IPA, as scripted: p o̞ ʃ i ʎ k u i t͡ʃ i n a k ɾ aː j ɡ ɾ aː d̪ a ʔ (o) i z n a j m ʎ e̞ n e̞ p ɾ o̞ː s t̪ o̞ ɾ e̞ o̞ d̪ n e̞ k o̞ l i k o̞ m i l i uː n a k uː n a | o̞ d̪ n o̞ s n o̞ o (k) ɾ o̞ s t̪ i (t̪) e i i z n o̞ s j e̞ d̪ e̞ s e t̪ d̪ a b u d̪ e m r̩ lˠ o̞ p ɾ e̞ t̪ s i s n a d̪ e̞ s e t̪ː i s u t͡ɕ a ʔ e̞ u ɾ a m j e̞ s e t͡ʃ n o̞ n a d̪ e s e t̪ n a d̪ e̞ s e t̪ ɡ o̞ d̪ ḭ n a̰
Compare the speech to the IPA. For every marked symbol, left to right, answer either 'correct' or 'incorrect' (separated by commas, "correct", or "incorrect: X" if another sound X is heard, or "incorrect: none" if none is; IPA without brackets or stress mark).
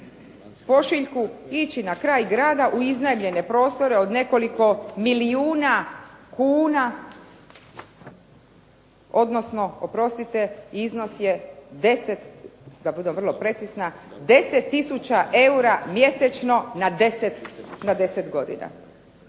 incorrect: u, incorrect: p, correct